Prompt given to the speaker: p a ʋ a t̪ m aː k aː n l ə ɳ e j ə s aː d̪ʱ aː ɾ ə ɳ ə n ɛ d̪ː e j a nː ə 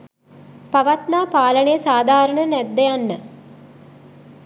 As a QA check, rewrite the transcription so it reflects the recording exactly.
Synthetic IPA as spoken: p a ʋ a t̪ n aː p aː l ə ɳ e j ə s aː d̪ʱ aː ɾ ə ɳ ə n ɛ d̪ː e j a nː ə